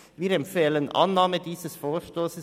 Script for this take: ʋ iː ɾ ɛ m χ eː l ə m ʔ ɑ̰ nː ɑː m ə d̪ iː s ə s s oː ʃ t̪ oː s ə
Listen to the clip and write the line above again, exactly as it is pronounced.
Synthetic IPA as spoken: ʋ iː ɾ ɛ m f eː l ə n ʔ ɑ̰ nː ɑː m ə d̪ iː s ə s f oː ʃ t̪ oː s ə